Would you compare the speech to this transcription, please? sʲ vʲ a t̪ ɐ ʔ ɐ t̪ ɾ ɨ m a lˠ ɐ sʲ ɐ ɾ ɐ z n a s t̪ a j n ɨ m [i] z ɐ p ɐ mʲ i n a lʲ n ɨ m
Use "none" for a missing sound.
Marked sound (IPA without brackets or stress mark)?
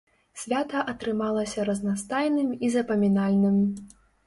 i